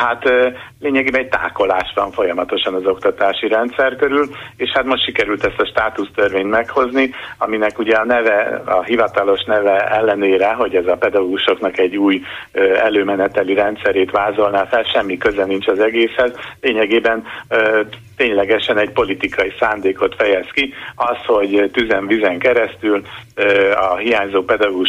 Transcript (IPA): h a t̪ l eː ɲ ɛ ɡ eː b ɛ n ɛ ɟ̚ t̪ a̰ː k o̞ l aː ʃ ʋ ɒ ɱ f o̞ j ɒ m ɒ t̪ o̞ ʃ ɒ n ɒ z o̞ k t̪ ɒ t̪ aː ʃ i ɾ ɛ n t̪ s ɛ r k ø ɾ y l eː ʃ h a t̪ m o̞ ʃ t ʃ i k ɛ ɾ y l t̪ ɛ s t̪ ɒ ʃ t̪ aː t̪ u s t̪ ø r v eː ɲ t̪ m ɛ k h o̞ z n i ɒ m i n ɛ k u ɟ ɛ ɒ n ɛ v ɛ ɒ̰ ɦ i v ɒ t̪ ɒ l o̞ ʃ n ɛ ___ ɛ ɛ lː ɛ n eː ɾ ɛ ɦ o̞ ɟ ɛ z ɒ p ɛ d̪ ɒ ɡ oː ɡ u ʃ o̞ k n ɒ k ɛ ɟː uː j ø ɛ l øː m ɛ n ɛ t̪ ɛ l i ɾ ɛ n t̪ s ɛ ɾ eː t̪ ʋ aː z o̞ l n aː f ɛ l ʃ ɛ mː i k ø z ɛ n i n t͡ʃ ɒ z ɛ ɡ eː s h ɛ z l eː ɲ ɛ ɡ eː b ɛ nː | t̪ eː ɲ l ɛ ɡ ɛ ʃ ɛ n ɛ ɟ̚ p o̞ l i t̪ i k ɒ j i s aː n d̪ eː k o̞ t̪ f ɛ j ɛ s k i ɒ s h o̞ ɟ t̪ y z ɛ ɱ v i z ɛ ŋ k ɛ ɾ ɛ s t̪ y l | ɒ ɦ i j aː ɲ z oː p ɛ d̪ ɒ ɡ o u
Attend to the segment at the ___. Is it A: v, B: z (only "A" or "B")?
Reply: A